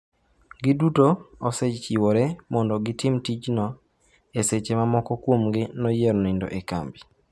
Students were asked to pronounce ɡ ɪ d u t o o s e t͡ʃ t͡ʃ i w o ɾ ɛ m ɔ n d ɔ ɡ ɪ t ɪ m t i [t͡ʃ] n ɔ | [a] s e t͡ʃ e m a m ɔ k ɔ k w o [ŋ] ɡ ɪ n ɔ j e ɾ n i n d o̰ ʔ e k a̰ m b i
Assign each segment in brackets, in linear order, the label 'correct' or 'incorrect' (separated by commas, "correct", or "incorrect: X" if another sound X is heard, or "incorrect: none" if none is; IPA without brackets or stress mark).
correct, incorrect: e, incorrect: m